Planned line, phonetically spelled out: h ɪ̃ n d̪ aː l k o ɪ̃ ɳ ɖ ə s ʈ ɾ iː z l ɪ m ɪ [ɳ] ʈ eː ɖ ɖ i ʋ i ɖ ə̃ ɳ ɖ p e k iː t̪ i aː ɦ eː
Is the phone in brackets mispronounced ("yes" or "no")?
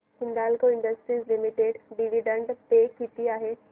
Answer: yes